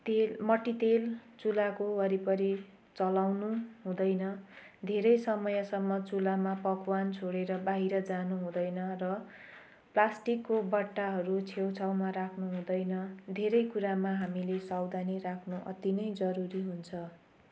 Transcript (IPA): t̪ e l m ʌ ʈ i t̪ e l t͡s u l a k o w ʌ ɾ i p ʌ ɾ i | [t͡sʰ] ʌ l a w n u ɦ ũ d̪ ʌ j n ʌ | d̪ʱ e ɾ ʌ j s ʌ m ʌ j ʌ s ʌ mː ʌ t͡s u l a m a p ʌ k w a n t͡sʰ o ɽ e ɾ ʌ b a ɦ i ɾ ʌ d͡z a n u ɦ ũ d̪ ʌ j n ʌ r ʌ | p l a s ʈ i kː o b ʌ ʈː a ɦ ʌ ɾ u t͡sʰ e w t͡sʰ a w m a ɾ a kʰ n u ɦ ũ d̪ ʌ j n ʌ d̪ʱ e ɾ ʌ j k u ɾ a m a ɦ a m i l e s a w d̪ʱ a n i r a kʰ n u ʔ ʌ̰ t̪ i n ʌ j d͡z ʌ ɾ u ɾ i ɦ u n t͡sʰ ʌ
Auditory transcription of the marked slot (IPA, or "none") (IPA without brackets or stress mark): t͡s